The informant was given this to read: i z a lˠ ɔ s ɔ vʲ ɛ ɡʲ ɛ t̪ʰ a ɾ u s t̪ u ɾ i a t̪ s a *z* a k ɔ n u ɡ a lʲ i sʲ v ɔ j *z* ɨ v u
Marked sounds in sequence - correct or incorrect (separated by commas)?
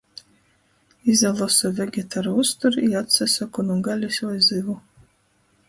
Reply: incorrect, correct